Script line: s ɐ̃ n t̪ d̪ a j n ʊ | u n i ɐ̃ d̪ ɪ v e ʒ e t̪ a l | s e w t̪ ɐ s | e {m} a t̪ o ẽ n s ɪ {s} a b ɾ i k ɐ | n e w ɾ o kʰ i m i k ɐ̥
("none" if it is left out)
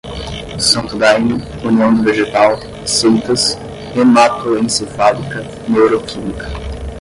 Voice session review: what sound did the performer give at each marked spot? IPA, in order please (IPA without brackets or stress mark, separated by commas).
m, f